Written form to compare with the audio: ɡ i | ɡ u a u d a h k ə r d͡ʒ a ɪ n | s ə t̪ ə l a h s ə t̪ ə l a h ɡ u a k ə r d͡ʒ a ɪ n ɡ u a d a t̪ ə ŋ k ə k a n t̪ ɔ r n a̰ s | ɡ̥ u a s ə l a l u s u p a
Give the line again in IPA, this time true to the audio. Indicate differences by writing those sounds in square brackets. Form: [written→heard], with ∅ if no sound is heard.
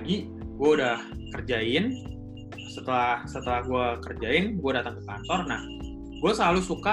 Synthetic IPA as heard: ɡ i | ɡ u a u d a h k ə r d͡ʒ a ɪ n | s ə t̪ ə l a h s ə t̪ ə l a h ɡ u a k ə r d͡ʒ a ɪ n ɡ u a d a t̪ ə ŋ k ə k a n t̪ ɔ r n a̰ [s→h] | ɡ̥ u a s ə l a l u s u [p→k] a